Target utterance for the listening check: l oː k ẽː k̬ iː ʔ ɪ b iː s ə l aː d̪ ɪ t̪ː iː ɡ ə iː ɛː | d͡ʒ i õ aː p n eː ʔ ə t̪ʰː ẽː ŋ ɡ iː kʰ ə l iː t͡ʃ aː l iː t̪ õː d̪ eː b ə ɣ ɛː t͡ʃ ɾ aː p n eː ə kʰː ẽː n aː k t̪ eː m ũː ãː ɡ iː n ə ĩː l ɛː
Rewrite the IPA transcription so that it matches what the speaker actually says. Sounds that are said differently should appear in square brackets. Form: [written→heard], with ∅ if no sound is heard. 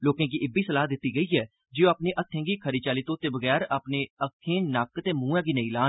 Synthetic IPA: l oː k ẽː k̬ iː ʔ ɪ b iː s ə l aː d̪ ɪ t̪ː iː ɡ ə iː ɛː | d͡ʒ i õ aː p n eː ʔ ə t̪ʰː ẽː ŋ ɡ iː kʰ ə [l→ɾ] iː t͡ʃ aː l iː t̪ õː [d̪→t̪] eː b ə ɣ ɛː [t͡ʃ→∅] ɾ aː p n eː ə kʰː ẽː n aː k t̪ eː m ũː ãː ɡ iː n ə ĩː l [ɛː→aː]